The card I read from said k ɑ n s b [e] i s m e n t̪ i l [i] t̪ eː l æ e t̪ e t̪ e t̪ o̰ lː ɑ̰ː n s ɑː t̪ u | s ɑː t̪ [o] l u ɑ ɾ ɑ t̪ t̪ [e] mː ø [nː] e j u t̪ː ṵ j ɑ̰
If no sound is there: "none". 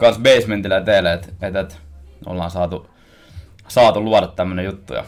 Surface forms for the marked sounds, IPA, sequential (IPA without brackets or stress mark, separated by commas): e, æ, u, æ, n